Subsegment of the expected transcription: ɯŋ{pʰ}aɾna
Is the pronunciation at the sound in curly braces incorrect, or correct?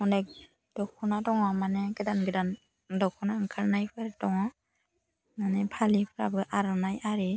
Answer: incorrect